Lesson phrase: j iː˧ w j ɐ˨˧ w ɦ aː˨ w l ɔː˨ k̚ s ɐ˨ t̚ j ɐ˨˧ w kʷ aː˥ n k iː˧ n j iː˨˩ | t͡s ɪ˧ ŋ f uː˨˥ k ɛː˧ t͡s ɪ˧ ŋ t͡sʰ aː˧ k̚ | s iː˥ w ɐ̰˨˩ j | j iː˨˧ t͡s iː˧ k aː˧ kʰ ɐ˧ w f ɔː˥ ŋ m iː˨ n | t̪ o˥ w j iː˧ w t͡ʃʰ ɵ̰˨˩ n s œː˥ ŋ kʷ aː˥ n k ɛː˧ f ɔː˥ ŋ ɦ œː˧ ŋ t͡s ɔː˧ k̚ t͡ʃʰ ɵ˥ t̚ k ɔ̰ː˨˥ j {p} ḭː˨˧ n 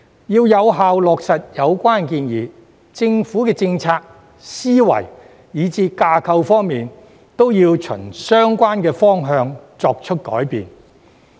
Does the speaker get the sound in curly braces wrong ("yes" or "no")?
no